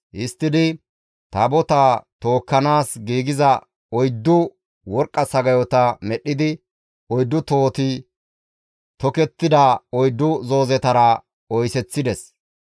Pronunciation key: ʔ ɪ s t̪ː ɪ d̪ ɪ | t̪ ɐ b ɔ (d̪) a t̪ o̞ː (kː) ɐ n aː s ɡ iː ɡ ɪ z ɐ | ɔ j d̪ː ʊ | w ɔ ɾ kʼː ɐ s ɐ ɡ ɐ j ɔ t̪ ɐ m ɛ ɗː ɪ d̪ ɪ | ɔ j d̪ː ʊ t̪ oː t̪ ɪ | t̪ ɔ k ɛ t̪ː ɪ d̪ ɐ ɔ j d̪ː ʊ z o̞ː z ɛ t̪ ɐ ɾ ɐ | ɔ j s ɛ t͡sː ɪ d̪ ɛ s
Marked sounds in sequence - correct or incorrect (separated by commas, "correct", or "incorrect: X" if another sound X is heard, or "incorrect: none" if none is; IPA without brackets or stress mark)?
incorrect: t̪, correct